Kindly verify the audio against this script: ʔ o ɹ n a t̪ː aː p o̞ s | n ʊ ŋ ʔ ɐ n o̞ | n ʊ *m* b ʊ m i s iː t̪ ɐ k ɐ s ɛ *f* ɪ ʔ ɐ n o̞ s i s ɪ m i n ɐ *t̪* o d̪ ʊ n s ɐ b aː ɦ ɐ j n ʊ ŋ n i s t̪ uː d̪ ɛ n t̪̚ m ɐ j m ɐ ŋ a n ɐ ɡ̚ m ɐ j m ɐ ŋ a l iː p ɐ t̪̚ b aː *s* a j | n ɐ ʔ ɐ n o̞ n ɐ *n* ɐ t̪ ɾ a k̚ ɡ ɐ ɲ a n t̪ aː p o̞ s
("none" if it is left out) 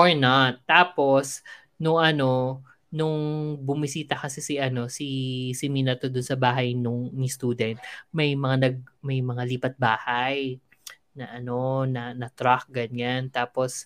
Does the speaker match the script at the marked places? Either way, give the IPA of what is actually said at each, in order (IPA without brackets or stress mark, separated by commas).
ŋ, s, t̪, h, n